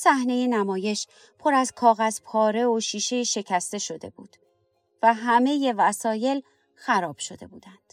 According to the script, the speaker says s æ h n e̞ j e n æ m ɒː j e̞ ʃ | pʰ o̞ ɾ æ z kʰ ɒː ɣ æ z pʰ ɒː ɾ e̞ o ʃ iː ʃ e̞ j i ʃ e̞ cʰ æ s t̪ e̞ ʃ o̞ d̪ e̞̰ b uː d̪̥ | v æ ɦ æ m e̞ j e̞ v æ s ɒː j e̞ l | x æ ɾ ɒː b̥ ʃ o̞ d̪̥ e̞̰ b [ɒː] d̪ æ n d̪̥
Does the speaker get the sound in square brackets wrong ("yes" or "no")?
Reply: yes